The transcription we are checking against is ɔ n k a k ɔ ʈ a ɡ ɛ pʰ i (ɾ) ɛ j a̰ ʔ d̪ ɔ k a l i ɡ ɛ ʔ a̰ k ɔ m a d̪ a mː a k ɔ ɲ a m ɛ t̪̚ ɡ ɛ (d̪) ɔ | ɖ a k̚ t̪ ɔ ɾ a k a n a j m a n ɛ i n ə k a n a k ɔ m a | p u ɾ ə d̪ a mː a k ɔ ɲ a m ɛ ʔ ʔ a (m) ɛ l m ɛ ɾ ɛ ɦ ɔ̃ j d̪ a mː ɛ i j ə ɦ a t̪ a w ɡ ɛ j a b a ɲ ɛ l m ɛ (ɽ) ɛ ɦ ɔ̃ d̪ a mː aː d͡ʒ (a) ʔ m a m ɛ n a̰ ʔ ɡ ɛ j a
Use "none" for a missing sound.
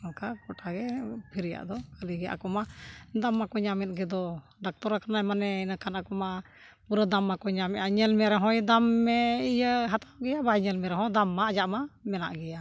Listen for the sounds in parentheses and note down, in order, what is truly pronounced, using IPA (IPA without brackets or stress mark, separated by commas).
ɾ, d̪, ɲ, ɾ, a